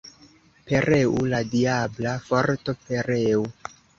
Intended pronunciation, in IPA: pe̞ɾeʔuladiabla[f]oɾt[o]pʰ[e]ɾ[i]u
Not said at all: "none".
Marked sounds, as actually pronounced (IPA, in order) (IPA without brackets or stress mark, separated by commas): f, o, e, e